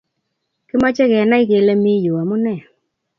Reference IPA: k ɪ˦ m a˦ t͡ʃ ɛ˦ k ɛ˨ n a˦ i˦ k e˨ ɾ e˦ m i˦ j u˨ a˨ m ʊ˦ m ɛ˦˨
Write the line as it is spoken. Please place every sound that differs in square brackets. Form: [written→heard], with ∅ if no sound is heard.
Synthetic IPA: k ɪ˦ m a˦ t͡ʃ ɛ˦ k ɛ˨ n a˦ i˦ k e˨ [ɾ→l] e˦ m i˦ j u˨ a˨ m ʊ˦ [m→n] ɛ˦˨